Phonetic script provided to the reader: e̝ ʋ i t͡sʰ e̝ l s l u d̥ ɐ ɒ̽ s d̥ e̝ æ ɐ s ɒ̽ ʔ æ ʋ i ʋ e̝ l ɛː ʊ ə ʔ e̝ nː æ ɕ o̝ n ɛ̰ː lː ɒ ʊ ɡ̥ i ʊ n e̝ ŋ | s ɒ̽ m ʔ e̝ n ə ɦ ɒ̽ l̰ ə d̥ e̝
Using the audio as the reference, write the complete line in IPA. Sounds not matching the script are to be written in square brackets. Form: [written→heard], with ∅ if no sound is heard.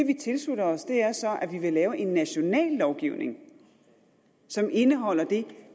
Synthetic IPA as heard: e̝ ʋ i t͡sʰ e̝ l s l u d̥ ɐ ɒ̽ s d̥ e̝ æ ɐ s ɒ̽ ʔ æ ʋ i ʋ e̝ l ɛː ʊ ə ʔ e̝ nː æ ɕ o̝ n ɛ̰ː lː ɒ ʊ ɡ̥ i ʊ n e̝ ŋ | s ɒ̽ m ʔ e̝ n ə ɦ ɒ̽ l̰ [ə→ɐ] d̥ e̝